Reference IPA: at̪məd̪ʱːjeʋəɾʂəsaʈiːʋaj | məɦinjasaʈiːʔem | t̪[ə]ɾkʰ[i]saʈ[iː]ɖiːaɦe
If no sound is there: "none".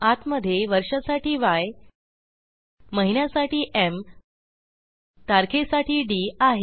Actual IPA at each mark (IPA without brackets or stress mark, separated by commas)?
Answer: a, e, iː